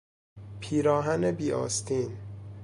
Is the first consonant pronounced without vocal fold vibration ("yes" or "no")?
yes